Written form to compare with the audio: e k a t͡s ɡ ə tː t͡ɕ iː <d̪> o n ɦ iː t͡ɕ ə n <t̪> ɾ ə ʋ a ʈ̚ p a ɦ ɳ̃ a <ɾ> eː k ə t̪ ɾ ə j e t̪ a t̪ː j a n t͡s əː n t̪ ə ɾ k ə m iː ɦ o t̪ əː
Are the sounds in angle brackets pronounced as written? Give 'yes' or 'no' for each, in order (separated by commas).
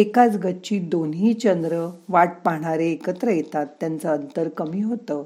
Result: yes, no, yes